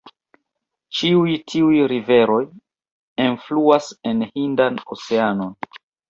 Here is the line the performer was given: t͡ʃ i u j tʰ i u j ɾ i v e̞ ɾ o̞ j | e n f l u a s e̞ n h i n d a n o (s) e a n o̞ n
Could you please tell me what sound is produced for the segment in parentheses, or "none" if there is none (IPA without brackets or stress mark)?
s